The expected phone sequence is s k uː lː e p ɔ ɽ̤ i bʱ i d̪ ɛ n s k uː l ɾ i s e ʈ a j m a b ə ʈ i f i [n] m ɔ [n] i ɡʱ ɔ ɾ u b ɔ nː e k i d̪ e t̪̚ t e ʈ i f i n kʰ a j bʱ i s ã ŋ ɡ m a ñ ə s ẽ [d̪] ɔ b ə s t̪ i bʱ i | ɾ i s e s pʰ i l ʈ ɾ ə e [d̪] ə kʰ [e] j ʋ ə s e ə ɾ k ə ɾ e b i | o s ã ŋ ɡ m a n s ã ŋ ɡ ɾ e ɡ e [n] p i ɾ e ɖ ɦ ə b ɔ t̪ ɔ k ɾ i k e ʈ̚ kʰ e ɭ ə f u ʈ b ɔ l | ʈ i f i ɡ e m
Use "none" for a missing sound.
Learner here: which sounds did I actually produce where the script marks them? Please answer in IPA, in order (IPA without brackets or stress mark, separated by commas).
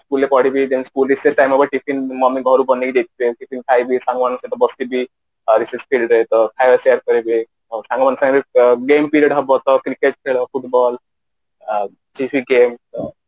n, m, t̪, t̪, a, m